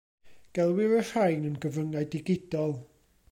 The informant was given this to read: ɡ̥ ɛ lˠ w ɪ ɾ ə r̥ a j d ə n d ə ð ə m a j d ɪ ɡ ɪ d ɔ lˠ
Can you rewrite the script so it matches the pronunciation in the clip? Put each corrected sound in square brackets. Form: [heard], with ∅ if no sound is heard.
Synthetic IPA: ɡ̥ ɛ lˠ w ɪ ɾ ə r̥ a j [n] ə n [ɡ] ə [v] ə [ŋ] a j d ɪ ɡ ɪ d ɔ lˠ